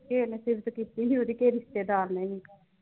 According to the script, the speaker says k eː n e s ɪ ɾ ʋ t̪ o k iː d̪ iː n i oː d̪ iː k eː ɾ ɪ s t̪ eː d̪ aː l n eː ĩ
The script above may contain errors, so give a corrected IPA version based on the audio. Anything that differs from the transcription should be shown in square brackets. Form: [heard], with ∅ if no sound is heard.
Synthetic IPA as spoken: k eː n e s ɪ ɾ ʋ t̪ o k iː [t̪] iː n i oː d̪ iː k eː ɾ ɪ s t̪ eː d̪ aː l n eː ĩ